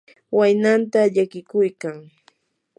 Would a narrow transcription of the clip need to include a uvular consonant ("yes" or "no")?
no